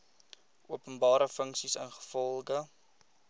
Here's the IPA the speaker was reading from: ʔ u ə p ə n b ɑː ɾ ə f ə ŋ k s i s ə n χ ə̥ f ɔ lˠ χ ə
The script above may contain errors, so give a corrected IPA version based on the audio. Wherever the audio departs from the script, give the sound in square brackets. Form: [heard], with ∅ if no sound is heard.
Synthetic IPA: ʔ u ə p ə n b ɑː ɾ ə f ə ŋ k s i s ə n χ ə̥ f ɔ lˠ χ ə